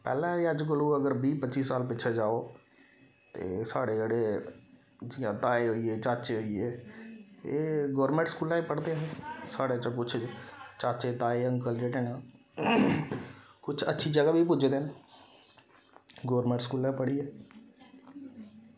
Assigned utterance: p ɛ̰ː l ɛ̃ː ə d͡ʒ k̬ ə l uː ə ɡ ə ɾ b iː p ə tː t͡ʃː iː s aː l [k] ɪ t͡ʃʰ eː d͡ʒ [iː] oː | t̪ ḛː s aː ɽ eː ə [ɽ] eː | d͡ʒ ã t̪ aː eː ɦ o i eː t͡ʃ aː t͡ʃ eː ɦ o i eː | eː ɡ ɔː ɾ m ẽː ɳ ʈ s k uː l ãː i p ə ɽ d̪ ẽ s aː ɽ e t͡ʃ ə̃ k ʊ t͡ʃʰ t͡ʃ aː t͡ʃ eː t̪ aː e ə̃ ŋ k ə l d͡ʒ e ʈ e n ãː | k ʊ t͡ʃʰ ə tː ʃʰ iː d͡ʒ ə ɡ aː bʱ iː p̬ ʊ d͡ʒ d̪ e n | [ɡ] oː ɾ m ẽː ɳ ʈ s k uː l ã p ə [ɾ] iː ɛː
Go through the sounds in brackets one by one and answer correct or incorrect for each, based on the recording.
incorrect, incorrect, correct, correct, incorrect

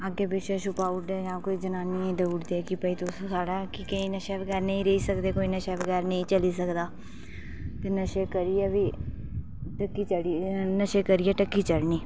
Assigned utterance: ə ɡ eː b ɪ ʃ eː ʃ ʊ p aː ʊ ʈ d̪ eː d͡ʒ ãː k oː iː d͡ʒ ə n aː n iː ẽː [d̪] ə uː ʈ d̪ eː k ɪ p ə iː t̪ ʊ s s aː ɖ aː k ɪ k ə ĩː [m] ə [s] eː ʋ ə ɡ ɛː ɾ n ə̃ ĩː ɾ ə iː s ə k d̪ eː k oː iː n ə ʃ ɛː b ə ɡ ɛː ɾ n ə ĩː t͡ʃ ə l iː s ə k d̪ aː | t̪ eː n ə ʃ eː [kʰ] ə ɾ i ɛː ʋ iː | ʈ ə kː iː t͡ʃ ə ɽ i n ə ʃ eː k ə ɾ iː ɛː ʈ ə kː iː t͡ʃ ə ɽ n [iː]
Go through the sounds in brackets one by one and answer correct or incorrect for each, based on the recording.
correct, incorrect, incorrect, incorrect, correct

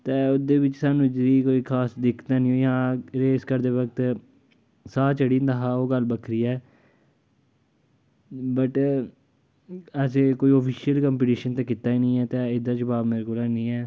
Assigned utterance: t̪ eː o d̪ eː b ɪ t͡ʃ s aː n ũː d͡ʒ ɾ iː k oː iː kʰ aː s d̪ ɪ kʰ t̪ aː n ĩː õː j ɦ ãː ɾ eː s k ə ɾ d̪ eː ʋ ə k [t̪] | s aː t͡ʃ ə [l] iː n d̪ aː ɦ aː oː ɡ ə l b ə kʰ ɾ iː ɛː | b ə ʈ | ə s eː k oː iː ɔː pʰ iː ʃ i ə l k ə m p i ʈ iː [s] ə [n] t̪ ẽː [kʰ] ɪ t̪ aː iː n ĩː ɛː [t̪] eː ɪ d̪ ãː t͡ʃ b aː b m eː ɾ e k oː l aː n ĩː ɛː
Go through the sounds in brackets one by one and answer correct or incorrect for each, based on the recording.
correct, incorrect, incorrect, correct, incorrect, correct

